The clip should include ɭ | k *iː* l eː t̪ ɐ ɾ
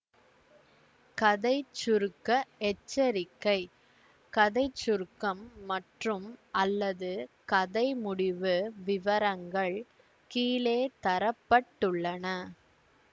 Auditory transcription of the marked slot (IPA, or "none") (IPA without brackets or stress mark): iː